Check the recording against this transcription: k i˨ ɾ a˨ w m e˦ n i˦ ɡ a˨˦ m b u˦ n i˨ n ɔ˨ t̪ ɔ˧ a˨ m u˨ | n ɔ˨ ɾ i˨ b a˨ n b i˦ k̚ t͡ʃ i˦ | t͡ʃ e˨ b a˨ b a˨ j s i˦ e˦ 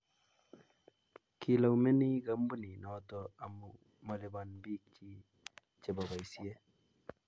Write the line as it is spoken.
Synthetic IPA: k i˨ l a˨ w m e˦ n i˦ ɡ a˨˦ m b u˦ n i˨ n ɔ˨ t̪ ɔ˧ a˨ m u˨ | m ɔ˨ l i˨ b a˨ n b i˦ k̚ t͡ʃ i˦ | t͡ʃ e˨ b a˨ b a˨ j s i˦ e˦